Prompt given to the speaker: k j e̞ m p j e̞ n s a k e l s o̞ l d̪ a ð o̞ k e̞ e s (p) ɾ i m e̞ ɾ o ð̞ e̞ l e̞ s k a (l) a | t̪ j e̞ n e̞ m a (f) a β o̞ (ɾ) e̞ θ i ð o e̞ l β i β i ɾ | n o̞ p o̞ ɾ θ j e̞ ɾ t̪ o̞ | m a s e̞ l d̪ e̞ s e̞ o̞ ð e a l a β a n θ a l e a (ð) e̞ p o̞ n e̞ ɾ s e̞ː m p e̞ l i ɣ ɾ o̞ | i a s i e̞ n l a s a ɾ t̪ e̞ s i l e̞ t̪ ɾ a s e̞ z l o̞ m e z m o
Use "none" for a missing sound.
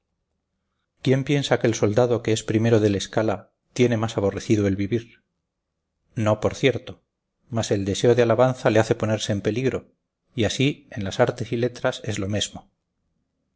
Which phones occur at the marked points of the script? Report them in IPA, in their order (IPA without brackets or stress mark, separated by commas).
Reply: p, l, s, r, θ